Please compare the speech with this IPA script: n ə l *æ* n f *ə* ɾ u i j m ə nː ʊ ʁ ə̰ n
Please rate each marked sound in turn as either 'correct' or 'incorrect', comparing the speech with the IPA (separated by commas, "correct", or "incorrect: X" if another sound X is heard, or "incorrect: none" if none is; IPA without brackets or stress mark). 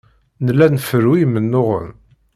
correct, correct